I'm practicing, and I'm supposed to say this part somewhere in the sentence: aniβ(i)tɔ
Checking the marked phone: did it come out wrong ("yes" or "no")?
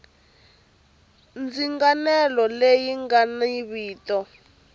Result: yes